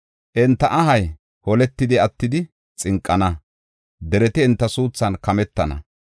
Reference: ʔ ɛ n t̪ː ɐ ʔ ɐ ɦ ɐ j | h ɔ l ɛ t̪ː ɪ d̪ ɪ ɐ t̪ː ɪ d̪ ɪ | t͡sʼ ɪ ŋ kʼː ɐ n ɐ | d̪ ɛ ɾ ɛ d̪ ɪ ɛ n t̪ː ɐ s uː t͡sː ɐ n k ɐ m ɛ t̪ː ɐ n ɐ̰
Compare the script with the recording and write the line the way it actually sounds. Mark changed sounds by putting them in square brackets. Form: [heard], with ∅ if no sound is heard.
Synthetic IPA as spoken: ʔ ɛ n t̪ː ɐ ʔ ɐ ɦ ɐ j | h ɔ l ɛ t̪ː ɪ d̪ ɪ ɐ t̪ː ɪ d̪ ɪ | t͡sʼ ɪ ŋ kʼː ɐ n ɐ | d̪ ɛ ɾ ɛ [t̪] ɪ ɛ n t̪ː ɐ s uː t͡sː ɐ n k ɐ m ɛ t̪ː ɐ n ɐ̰